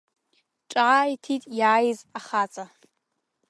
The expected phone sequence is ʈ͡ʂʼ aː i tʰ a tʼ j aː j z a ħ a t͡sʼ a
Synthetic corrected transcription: ʈ͡ʂʼ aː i tʰ i tʼ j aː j z a χ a t͡sʼ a